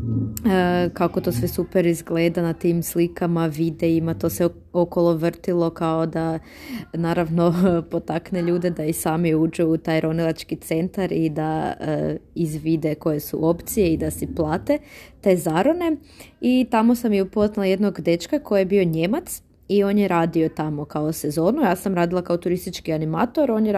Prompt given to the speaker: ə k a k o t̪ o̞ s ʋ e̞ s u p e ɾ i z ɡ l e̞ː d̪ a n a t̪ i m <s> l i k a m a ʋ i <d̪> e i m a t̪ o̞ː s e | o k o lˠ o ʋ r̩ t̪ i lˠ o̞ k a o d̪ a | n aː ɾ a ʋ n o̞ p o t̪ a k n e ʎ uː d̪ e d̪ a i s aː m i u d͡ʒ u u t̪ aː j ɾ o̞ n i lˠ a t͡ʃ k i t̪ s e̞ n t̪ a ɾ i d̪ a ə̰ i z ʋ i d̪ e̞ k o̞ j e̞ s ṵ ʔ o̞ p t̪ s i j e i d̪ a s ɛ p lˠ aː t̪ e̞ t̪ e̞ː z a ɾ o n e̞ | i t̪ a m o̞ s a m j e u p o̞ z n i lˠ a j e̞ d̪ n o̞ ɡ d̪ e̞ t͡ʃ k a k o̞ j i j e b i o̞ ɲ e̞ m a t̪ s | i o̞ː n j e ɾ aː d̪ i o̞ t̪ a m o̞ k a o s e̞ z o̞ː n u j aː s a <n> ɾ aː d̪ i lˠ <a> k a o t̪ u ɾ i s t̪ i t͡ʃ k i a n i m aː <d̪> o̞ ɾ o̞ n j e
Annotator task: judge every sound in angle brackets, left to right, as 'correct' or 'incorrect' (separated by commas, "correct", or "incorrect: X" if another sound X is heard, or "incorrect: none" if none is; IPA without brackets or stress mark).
correct, correct, incorrect: m, correct, incorrect: t̪